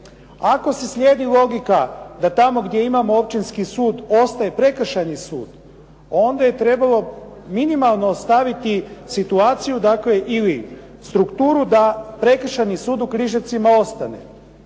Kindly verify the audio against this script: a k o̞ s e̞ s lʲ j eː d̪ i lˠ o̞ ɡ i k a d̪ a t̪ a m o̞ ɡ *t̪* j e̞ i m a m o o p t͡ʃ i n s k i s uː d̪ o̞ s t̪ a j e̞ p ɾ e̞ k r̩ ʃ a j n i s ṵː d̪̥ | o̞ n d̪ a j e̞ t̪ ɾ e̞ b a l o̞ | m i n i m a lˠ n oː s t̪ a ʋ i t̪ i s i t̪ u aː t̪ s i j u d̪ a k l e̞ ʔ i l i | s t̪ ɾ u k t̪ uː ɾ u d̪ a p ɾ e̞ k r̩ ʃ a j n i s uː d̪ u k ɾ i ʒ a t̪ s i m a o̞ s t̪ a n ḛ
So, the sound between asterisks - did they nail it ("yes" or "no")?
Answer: no